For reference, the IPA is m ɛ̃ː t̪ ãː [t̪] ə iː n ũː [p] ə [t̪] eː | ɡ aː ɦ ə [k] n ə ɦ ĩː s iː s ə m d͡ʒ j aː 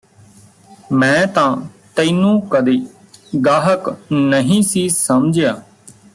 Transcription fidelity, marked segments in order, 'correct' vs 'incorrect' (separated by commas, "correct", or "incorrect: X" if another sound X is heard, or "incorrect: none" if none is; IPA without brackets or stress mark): correct, incorrect: k, incorrect: d̪, correct